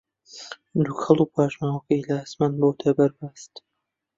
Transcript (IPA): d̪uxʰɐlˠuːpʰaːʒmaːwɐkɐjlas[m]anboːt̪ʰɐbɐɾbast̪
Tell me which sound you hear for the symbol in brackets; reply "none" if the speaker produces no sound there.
m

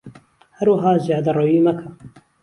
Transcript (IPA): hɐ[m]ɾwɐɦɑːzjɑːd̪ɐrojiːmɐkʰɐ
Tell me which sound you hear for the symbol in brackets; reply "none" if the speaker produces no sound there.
none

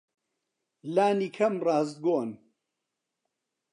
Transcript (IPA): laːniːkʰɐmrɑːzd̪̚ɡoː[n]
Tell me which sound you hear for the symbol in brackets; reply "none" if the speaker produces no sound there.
n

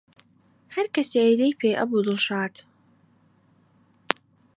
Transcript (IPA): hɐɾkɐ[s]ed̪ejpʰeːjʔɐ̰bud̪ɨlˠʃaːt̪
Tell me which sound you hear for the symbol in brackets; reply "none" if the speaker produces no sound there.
s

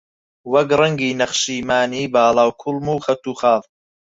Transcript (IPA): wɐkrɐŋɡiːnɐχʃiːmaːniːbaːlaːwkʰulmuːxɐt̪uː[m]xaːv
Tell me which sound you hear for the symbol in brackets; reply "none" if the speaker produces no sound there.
none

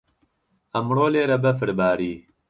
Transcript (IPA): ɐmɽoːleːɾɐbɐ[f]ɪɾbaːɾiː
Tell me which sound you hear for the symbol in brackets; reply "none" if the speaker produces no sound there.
f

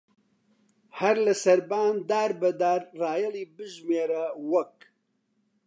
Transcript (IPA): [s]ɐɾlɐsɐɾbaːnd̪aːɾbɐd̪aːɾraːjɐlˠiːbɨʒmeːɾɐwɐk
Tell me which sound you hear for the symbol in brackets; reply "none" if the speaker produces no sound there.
h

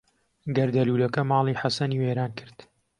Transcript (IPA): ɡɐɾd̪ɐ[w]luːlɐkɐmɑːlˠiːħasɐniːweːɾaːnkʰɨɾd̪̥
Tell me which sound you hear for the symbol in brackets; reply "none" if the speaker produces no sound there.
none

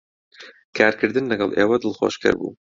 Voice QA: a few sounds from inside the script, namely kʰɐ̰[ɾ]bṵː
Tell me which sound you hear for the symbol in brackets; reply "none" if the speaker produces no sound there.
ɾ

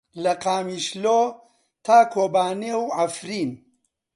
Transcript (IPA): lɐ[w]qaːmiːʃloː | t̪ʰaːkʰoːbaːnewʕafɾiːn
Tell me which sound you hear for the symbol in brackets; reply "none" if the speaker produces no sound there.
none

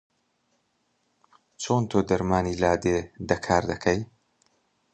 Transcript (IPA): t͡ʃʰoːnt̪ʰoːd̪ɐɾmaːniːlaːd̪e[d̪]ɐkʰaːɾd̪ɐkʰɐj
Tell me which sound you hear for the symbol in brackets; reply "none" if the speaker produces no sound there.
d̪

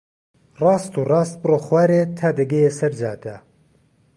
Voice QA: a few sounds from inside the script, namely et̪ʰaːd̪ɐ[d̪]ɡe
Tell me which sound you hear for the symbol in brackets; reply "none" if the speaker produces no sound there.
none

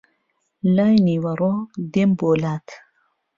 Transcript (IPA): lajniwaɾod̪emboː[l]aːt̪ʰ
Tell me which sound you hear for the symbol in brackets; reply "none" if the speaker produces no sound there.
l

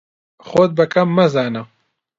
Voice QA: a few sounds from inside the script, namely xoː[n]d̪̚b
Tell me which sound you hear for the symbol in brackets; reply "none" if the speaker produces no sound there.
none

